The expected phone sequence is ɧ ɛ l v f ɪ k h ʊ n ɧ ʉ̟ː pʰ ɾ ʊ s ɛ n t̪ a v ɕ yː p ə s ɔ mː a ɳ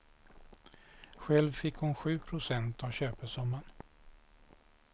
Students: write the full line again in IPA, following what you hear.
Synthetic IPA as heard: ɧ ɛ l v f ɪ k h ʊ n ɧ ʉ̟ː pʰ ɾ ʊ s ɛ n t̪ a v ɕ øː p ə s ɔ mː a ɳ